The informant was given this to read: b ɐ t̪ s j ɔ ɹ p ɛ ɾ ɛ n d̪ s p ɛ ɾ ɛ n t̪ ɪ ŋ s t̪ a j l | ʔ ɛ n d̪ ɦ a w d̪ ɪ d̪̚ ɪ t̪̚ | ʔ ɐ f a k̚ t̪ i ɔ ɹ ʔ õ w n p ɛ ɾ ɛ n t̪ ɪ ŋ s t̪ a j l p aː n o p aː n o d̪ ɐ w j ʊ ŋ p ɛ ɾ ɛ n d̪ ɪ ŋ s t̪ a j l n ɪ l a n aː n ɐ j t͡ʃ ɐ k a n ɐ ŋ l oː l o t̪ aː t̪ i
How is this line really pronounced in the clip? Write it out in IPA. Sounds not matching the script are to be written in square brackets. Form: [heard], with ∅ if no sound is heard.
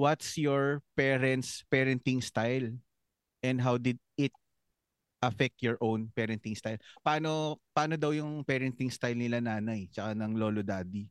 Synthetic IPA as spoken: [w] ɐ t̪ s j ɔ ɹ p ɛ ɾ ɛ n [t̪] s p ɛ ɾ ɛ n t̪ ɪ ŋ s t̪ a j l | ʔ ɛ n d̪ ɦ a w d̪ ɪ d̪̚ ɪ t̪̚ | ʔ ɐ f [ɛ] k̚ t̪ [j] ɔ ɹ ʔ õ w n p ɛ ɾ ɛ n t̪ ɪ ŋ s t̪ a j l p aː n o p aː n o d̪ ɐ w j ʊ ŋ p ɛ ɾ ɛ n [t̪] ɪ ŋ s t̪ a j l n ɪ l a n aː n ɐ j t͡ʃ ɐ k a n ɐ ŋ l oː l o [d̪] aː [d̪] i